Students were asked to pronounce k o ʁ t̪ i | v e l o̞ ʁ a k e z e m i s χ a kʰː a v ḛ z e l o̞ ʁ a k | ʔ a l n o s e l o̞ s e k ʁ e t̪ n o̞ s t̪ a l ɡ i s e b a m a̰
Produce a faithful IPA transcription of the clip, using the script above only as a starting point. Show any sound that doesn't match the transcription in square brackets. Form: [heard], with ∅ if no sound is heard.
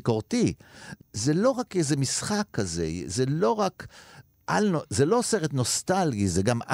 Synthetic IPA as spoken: k o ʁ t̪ i | [z] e l o̞ ʁ a k e z e m i s χ a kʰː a [z] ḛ z e l o̞ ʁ a k | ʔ a l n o [z] e l o̞ s e [∅] ʁ e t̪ n o̞ s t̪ a l ɡ i [z] e [ɡ] a m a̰